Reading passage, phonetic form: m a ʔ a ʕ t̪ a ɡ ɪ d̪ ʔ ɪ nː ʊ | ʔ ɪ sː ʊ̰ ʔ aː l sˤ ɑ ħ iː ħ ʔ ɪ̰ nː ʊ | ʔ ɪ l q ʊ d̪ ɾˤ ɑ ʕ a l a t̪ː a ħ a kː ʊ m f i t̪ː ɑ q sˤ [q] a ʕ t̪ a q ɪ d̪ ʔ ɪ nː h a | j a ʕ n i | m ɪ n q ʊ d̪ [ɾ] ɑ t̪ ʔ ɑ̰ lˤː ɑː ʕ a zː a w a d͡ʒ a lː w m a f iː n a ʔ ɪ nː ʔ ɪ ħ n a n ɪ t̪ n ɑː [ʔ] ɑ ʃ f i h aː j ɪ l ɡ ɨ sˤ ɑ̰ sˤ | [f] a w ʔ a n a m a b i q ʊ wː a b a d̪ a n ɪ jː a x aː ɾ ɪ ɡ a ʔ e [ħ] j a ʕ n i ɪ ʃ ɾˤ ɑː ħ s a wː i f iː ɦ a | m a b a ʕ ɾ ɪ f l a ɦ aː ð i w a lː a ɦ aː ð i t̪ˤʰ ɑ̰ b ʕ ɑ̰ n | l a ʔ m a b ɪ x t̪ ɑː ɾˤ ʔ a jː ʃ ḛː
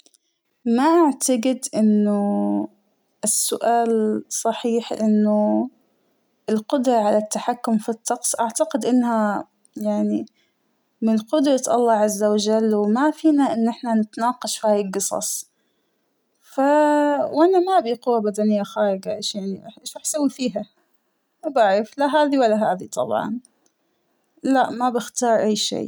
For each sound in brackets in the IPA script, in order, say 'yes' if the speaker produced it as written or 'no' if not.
no, yes, no, yes, no

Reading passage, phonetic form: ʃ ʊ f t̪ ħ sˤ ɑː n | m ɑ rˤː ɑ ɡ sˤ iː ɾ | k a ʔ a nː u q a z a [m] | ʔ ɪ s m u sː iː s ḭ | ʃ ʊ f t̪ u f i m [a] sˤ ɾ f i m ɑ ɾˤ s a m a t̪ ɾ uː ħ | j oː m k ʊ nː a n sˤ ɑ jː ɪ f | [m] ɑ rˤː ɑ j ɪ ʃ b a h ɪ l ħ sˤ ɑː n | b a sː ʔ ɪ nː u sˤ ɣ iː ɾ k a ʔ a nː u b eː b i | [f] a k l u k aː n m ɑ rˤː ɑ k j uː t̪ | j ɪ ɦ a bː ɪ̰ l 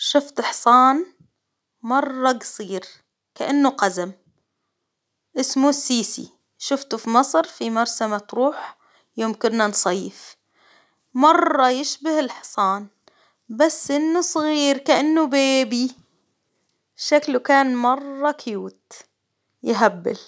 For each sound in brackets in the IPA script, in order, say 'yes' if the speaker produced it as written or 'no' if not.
yes, no, yes, no

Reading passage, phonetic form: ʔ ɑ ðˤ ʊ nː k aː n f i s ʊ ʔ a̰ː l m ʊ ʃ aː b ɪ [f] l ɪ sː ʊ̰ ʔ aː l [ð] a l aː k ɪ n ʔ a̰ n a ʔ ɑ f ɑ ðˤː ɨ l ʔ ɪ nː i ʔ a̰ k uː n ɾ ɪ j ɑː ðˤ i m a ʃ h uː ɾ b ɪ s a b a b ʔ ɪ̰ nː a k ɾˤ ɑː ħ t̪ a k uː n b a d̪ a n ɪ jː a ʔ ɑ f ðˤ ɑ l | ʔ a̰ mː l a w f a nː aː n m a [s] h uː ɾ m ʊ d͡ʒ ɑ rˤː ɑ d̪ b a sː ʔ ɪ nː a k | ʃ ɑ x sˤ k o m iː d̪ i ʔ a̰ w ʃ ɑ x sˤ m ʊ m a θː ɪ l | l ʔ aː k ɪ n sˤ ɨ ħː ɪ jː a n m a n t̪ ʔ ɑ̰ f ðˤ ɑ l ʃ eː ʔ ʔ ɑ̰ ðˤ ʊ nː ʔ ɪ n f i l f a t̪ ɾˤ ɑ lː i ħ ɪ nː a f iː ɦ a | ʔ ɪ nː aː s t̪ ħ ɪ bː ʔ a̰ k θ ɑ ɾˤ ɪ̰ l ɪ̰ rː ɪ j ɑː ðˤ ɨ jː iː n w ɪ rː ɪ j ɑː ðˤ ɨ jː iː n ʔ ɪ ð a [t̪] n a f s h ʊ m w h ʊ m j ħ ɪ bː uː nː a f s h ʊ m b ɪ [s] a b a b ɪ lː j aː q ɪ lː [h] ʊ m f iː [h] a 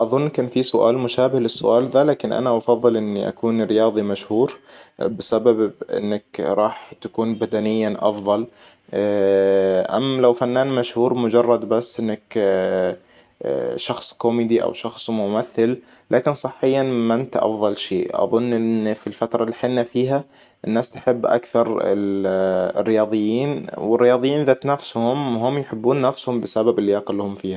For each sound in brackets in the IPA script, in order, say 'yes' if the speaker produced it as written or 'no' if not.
no, yes, no, yes, yes, yes, yes

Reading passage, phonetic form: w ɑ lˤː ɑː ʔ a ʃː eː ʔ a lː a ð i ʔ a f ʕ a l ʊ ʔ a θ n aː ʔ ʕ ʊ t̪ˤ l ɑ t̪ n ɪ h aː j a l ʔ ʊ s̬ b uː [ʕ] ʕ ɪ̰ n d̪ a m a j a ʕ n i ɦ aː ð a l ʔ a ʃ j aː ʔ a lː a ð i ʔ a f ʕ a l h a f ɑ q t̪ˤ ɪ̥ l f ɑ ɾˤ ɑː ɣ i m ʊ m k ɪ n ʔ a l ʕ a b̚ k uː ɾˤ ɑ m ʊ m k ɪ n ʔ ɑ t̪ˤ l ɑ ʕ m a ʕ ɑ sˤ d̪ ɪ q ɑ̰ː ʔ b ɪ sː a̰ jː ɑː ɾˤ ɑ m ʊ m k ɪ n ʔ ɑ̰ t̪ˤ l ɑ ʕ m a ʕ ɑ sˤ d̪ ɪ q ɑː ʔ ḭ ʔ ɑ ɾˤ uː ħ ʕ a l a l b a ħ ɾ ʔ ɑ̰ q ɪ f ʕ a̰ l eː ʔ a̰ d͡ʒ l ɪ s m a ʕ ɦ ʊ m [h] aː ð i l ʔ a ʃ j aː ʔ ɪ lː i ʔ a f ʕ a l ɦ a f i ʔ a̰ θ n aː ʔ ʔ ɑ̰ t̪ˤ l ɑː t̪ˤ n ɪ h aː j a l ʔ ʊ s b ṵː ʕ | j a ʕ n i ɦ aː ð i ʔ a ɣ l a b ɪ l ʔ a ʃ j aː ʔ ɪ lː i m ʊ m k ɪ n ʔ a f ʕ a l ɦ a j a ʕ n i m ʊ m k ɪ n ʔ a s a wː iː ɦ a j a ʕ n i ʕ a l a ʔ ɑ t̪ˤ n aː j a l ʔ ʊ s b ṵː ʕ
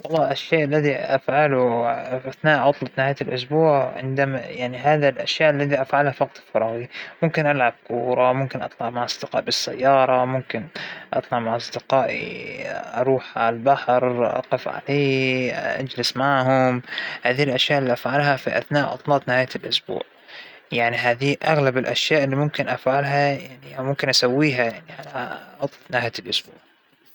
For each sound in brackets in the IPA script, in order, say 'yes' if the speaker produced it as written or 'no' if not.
yes, yes

